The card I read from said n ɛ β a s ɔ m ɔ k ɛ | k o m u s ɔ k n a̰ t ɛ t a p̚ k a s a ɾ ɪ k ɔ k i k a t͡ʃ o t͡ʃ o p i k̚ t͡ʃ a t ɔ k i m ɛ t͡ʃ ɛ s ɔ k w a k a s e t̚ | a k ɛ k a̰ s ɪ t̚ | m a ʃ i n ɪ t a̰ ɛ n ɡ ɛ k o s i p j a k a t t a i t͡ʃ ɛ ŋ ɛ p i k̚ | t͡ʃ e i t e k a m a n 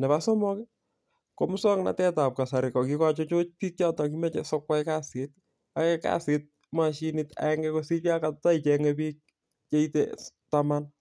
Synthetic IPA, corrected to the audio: n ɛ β a s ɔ m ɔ k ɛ | k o m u s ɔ k n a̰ t ɛ t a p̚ k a s a ɾ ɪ k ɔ k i k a t͡ʃ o t͡ʃ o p i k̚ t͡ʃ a t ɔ k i m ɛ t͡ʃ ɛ s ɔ k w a k a s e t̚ | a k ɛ k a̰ s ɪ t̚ | m a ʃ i n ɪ t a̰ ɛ ŋ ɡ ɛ k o s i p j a k a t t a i t͡ʃ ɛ ŋ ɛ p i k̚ | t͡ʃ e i t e t a m a n

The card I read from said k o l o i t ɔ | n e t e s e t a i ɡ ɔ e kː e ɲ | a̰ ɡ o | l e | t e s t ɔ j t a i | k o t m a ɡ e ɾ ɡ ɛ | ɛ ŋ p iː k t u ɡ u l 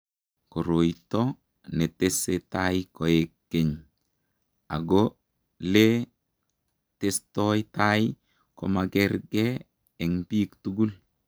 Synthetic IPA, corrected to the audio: k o ɾ o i t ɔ | n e t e s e t a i k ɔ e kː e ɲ | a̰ ɡ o | l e | t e s t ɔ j t a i | k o m a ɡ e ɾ ɡ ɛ | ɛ ŋ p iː k t u ɡ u l

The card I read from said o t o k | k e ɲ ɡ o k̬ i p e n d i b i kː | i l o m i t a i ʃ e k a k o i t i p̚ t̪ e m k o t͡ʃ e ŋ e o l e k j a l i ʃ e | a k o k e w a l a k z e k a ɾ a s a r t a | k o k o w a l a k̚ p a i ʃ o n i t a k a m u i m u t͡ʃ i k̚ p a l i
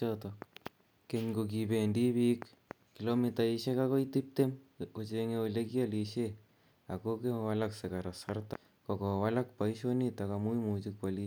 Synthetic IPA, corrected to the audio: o t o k | k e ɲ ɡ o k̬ i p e n d i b i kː | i l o m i t a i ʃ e k a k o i t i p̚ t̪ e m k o t͡ʃ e ŋ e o l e k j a l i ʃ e | a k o k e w a l a k s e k a ɾ a s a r t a | k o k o w a l a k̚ p a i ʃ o n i t a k a m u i m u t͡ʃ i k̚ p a l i

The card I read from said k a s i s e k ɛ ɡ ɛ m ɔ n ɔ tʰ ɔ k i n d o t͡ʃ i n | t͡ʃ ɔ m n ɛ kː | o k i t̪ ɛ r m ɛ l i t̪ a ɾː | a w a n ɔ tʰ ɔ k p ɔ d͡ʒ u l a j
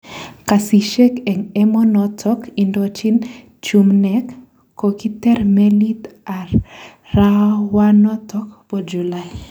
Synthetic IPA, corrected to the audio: k a s i ʃ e k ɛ ŋ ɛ m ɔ n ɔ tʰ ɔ k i n d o t͡ʃ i n | t͡ʃ u m n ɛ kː | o k i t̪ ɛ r m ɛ l i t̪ a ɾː | a w a n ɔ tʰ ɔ k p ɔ d͡ʒ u l a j

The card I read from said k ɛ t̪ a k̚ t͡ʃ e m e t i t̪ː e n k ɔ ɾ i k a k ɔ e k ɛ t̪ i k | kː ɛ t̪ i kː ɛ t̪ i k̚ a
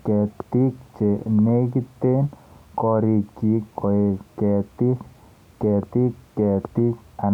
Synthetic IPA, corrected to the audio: k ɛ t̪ i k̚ t͡ʃ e n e k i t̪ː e n k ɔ ɾ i k i k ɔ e k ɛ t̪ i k | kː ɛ t̪ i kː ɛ t̪ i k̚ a

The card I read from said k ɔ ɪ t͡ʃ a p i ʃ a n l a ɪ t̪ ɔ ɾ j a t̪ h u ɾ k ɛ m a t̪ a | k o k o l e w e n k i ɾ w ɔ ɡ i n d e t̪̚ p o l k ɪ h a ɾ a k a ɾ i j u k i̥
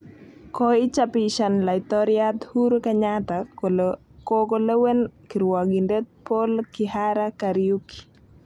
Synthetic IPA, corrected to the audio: k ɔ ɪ t͡ʃ a p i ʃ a n l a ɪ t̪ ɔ ɾ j a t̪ h u ɾ k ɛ ɲ a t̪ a | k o k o l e w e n k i ɾ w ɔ ɡ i n d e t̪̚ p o l k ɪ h a ɾ a k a ɾ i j u k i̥

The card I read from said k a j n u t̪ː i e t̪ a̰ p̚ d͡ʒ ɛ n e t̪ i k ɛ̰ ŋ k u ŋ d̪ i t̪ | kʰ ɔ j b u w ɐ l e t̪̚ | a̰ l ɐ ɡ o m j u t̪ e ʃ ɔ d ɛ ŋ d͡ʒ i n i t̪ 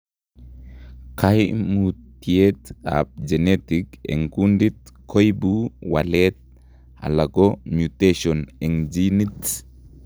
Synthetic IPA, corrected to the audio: k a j m u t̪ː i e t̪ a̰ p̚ d͡ʒ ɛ n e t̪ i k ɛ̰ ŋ k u n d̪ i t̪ | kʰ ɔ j b u w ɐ l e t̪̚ | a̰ l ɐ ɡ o m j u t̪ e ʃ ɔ n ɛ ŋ d͡ʒ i n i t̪

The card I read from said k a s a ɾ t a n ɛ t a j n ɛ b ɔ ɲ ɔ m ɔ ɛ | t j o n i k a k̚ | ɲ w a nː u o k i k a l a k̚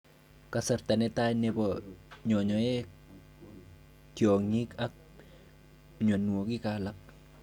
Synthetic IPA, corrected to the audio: k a s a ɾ t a n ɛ t a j n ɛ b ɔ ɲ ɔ ɲ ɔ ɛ | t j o ŋ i k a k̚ | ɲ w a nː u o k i k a l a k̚

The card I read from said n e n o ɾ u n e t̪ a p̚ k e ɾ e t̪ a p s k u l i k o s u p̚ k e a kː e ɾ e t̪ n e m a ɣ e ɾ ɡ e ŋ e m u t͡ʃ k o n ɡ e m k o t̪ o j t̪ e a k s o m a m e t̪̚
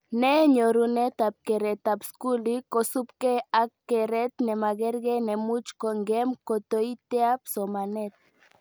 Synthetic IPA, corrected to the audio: n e ɲ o ɾ u n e t̪ a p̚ k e ɾ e t̪ a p s k u l i k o s u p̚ k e a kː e ɾ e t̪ n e m a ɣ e ɾ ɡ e n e m u t͡ʃ k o ŋ ɡ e m k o t̪ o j t̪ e a p s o m a n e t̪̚

